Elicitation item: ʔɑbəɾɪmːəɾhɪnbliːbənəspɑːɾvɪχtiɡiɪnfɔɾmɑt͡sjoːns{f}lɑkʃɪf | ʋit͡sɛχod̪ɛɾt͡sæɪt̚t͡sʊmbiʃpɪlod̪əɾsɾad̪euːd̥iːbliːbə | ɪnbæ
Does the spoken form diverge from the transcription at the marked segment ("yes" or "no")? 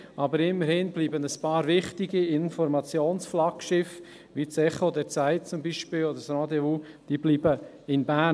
no